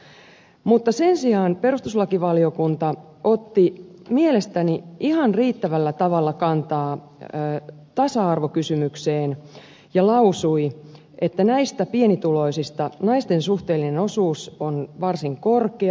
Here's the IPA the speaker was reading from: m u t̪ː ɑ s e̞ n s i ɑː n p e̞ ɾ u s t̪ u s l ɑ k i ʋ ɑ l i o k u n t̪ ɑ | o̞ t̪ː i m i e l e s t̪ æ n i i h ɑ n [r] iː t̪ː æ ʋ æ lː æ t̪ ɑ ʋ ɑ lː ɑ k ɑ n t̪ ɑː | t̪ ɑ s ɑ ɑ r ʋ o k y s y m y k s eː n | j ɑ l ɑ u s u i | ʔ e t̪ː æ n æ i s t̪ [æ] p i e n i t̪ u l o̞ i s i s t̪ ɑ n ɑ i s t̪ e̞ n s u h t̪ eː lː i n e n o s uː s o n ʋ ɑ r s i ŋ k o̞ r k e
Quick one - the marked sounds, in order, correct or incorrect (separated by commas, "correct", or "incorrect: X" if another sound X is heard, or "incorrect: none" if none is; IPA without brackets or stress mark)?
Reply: correct, correct